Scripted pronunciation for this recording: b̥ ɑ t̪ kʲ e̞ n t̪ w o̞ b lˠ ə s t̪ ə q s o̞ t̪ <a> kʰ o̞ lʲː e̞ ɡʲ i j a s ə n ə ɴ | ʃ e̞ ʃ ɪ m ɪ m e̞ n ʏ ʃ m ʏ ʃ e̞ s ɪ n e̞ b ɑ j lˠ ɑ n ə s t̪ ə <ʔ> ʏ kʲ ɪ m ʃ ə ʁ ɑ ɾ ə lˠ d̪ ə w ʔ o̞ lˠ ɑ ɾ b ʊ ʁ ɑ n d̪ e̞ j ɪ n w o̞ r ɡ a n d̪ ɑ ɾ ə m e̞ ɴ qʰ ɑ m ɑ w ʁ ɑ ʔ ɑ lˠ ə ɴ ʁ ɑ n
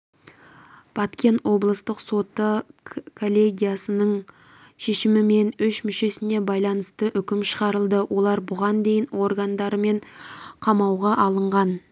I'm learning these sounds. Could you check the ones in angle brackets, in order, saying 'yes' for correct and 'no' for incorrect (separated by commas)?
no, yes